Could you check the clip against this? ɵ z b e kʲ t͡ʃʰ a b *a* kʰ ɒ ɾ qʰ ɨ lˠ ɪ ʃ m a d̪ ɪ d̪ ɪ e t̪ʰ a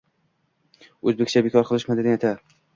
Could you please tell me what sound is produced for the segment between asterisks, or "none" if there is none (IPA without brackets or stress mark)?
e